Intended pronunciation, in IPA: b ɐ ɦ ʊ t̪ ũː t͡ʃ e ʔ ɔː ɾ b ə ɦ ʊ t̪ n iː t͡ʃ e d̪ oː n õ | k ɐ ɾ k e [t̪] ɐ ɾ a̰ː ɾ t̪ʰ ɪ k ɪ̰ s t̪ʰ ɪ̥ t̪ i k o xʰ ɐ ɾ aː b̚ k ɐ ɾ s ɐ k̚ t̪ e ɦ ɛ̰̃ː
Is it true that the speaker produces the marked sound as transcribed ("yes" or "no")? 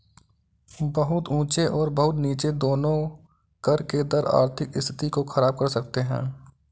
no